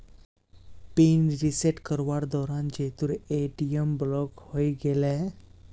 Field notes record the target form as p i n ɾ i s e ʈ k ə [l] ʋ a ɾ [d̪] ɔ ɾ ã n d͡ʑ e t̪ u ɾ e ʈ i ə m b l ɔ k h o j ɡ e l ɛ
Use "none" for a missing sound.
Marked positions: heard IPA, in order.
ɾ, d̪

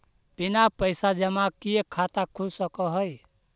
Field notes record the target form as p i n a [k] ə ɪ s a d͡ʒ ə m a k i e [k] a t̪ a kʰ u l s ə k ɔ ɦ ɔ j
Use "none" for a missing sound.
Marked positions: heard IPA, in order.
p, kʰ

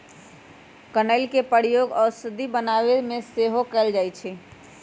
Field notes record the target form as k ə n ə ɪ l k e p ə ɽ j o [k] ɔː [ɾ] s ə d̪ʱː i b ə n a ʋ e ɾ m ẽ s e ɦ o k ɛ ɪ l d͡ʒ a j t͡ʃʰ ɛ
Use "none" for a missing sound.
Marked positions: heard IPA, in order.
ɡ, ɾ

